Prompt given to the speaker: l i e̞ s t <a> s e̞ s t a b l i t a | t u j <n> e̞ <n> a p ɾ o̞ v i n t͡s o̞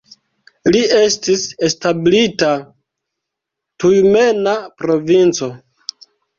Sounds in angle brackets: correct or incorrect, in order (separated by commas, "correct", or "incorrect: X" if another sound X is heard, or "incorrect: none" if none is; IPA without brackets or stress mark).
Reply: incorrect: i, incorrect: m, correct